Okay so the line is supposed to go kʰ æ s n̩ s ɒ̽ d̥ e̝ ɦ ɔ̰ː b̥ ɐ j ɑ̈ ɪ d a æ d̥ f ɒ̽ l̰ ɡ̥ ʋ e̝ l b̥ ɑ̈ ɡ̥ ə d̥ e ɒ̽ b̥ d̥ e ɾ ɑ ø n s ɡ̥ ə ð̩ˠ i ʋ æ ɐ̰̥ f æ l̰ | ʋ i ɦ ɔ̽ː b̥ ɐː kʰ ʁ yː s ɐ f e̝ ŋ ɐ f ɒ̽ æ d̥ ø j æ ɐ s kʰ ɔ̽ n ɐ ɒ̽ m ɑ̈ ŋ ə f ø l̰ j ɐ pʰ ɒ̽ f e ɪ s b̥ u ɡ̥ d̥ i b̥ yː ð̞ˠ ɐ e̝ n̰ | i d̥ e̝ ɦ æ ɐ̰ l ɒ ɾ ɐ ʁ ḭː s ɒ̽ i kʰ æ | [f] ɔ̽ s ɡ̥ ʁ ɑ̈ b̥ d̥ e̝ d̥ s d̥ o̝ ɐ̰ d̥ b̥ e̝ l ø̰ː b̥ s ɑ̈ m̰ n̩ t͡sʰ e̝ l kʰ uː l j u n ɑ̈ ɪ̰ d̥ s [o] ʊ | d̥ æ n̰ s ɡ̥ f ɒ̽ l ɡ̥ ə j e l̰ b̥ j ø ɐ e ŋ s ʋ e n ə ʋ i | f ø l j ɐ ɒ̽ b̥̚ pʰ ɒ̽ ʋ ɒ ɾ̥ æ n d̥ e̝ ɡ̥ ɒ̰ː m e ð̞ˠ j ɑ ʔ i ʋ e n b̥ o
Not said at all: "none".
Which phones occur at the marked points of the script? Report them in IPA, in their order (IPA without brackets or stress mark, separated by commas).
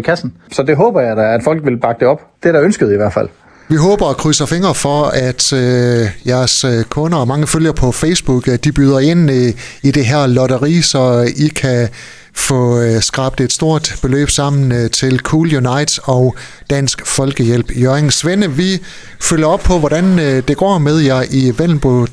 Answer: f, ɒ